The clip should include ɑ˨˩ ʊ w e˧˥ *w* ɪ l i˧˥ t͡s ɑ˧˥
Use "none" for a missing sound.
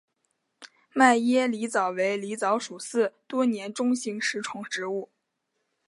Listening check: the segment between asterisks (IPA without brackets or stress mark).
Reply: none